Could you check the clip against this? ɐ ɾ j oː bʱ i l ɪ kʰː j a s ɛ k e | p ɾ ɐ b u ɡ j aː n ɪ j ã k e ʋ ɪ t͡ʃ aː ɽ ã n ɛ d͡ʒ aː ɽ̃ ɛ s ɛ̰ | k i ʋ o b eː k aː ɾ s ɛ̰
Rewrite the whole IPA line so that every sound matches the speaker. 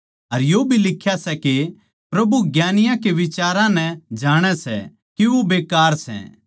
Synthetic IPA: ɐ ɾ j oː bʱ i l ɪ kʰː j a s ɛ k e | p ɾ ɐ b u ɡ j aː n ɪ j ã k e ʋ ɪ t͡ʃ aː ɾ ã n ɛ d͡ʒ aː ɽ̃ ɛ s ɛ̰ | k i ʋ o b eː k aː ɾ s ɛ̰